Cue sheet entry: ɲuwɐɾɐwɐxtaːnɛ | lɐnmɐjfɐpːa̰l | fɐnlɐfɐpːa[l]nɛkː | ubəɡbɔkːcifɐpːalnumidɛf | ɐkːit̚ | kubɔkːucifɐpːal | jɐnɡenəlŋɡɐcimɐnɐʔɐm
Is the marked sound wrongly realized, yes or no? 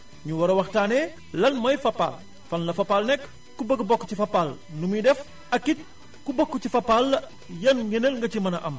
no